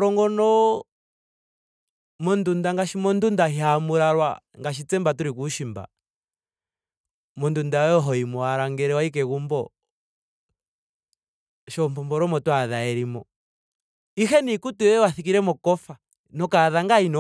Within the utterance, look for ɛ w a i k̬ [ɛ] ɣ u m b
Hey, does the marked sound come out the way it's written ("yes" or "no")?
yes